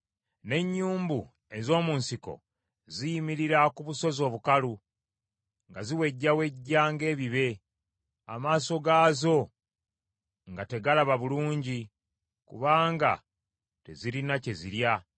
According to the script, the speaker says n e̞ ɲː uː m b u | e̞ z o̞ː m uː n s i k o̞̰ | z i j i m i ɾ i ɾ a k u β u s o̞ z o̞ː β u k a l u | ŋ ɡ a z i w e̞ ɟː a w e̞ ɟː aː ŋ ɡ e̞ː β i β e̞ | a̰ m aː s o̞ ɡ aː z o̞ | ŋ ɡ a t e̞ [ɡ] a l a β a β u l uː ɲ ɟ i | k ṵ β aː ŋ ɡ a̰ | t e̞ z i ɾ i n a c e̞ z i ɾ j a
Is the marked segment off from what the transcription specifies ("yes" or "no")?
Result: no